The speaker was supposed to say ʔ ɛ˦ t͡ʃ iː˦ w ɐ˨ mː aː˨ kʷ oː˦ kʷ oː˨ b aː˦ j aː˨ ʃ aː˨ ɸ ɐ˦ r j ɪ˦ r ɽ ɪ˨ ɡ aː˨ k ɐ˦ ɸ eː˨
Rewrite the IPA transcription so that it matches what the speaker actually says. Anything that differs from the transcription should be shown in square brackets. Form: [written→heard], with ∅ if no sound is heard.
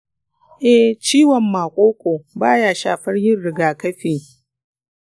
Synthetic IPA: ʔ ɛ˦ t͡ʃ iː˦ w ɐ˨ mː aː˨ [kʷ→kʷʼ] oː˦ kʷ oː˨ b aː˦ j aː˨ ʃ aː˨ ɸ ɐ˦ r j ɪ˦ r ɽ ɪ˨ ɡ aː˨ k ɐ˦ ɸ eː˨